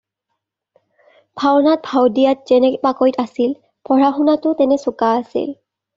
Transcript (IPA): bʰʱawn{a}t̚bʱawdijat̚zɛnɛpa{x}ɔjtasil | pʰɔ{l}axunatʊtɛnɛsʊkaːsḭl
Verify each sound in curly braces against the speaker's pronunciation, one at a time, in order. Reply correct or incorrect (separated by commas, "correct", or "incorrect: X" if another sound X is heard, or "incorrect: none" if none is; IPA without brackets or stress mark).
correct, incorrect: k, incorrect: ɹ